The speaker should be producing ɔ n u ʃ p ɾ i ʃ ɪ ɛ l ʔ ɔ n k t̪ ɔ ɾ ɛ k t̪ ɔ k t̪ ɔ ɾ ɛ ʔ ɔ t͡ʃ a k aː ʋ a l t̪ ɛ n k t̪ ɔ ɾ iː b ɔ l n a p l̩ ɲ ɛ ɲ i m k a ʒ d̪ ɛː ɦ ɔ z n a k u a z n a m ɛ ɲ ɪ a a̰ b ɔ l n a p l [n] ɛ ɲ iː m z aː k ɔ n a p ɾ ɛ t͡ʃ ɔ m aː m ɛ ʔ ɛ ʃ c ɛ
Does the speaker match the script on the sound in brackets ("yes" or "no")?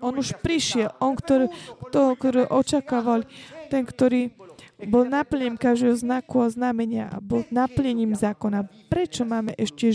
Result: no